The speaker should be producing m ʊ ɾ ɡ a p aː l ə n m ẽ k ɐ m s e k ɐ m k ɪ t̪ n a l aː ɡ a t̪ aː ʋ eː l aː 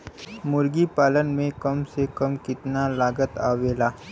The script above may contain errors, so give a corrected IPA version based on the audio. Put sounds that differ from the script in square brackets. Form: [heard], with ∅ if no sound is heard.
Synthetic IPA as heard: m ʊ ɾ ɡ [i] p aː l ə n m ẽ k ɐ m s e k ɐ m k ɪ t̪ n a l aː ɡ [ə] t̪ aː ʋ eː l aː